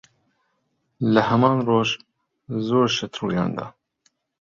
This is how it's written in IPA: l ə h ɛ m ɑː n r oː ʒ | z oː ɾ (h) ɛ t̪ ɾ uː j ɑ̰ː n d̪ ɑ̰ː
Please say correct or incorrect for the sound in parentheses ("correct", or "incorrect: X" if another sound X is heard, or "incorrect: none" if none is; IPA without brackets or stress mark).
incorrect: ʃ